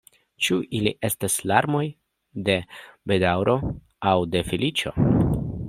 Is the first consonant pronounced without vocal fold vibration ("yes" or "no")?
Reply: yes